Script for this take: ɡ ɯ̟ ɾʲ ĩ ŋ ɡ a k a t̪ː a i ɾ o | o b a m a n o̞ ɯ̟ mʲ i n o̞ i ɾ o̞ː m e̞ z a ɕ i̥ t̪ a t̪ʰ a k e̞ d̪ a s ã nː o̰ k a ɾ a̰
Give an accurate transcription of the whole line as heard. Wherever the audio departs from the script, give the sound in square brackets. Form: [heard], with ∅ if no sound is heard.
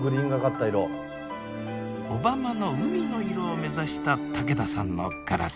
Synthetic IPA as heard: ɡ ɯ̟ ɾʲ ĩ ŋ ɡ a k a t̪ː a i ɾ o | o b a m a n o̞ ɯ̟ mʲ i n o̞ i ɾ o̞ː m e̞ z a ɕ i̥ t̪ a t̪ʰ a k e̞ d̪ a s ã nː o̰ k a ɾ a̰

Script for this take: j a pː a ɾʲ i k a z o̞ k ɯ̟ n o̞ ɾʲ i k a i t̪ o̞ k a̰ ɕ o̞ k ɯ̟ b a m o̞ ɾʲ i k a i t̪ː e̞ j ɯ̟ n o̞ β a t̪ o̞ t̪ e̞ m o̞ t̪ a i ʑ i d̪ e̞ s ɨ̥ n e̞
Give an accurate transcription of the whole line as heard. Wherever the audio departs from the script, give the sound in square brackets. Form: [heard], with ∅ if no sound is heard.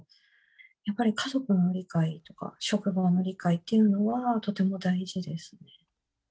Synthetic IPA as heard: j a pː a ɾʲ i k a z o̞ k ɯ̟ n o̞ ɾʲ i k a i t̪ o̞ k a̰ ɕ o̞ k ɯ̟ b a [n] o̞ ɾʲ i k a i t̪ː e̞ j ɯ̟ n o̞ β a t̪ o̞ t̪ e̞ m o̞ [d̪] a i ʑ i d̪ e̞ s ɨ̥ n e̞

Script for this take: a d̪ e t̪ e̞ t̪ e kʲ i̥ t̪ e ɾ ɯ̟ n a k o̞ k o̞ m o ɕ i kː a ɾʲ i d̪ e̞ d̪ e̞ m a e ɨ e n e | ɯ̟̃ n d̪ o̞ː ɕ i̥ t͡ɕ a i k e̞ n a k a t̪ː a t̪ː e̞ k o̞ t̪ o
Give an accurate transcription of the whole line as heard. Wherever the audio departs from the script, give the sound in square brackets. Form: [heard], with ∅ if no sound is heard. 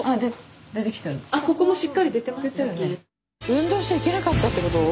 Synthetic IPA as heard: a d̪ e [d̪] e̞ t̪ e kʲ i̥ t̪ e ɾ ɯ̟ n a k o̞ k o̞ m o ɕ i kː a ɾʲ i d̪ e̞ [t̪] e̞ m a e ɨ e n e | ɯ̟̃ n d̪ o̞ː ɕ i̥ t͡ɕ a i k e̞ n a k a t̪ː a t̪ː e̞ k o̞ t̪ o

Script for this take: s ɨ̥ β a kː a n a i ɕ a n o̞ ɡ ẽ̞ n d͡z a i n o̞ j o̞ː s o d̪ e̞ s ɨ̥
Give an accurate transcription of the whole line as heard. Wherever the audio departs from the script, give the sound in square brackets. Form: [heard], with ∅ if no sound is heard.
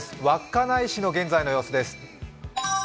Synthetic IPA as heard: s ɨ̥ β a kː a n a i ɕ [i] n o̞ ɡ ẽ̞ n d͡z a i n o̞ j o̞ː s o d̪ e̞ s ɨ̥

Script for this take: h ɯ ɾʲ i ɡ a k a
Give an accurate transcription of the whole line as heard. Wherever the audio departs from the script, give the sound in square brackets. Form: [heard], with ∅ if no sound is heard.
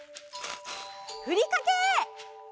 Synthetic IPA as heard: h ɯ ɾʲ i [k] a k [e]

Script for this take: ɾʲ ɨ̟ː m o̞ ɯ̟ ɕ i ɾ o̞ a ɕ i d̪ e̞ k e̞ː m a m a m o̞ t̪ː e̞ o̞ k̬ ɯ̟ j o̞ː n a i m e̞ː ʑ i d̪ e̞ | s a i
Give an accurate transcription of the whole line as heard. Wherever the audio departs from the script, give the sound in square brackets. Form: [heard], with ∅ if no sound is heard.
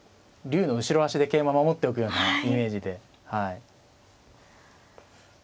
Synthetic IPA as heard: ɾʲ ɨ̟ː [n] o̞ ɯ̟ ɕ i ɾ o̞ a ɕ i d̪ e̞ k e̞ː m a m a m o̞ t̪ː e̞ o̞ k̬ ɯ̟ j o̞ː n a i m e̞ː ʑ i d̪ e̞ | [h] a i

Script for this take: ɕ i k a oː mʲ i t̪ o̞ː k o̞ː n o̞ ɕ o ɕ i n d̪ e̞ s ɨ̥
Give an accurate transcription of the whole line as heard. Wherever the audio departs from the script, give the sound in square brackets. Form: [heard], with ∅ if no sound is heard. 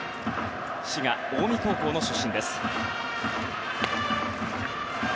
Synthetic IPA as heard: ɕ i [ɡ] a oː mʲ i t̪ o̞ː k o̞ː n o̞ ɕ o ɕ [ĩ] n d̪ e̞ s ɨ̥

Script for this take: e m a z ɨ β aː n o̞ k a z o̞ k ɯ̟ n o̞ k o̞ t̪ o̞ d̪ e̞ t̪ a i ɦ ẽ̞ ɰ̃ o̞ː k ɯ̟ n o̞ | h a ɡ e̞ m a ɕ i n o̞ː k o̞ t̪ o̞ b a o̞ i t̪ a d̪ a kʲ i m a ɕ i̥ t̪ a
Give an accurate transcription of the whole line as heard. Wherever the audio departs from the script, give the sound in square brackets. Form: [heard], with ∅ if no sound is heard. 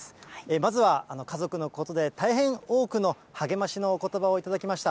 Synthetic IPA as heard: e m a z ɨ β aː n o̞ k a z o̞ k ɯ̟ n o̞ k o̞ t̪ o̞ d̪ e̞ t̪ a i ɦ ẽ̞ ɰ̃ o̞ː k ɯ̟ n o̞ | h a ɡ e̞ m a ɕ i n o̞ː k o̞ t̪ o̞ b a o̞ i t̪ a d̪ a kʲ i m a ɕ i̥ t̪ a

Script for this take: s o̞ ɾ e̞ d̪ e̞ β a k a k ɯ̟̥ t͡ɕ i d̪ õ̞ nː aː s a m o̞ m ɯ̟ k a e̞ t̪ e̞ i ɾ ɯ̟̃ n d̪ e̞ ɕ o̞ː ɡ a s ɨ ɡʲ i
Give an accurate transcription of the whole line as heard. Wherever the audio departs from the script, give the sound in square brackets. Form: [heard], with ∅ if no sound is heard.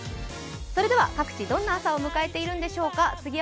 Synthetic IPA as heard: s o̞ ɾ e̞ d̪ e̞ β a k a k ɯ̟̥ t͡ɕ i d̪ õ̞ nː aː s a [∅] o̞ m ɯ̟ k a e̞ t̪ e̞ i ɾ ɯ̟̃ n d̪ e̞ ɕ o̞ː [k] a [t͡s] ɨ ɡʲ i

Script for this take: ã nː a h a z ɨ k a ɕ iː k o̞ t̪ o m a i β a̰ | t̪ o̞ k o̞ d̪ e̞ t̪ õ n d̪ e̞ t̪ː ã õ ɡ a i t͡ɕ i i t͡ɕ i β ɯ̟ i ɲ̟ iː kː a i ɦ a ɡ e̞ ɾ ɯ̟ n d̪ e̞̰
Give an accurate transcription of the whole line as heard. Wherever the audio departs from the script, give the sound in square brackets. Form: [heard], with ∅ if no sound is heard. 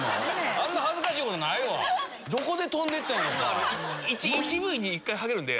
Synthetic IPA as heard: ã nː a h a z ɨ k a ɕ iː k o̞ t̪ o [n] a i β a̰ | [d̪] o̞ k o̞ d̪ e̞ t̪ õ n d̪ e̞ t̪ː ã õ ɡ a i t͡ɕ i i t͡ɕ i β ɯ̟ i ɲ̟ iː kː a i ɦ a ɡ e̞ ɾ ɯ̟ n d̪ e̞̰

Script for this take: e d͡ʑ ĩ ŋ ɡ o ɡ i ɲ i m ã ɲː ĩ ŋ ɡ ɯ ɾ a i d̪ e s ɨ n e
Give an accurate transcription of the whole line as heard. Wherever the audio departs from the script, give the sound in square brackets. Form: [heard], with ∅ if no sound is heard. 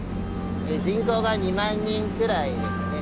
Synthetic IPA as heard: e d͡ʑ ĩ ŋ [k] o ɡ [a] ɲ i m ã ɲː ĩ ŋ [k] ɯ ɾ a i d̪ e s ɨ n e

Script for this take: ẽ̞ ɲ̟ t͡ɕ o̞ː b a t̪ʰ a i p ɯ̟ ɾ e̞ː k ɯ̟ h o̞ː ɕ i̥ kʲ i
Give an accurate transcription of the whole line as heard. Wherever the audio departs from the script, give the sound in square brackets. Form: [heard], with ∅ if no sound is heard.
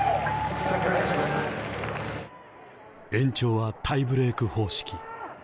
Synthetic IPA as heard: ẽ̞ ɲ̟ t͡ɕ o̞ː [β] a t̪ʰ a i [b] ɯ̟ ɾ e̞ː k ɯ̟ h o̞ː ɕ i̥ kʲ i

